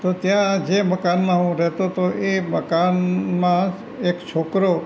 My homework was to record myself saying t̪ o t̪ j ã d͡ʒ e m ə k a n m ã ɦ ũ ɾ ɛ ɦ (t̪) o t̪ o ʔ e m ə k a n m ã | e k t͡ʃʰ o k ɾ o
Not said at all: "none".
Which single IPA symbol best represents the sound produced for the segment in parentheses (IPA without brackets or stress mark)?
t̪